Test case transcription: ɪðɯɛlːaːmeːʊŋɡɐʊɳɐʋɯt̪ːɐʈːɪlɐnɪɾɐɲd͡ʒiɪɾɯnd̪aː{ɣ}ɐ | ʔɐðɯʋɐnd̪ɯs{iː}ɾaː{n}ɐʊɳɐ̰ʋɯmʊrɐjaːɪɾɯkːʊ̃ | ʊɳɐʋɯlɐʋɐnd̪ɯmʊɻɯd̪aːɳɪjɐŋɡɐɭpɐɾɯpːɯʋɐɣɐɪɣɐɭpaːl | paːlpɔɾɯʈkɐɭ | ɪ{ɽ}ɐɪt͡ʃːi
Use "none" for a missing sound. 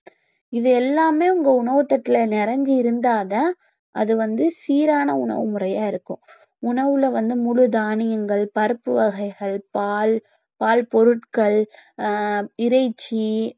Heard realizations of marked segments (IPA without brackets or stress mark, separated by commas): ð, iː, n, ɾ